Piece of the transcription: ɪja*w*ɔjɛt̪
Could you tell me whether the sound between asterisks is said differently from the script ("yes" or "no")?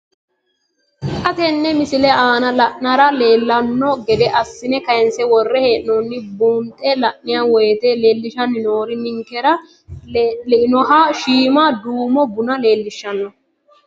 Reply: no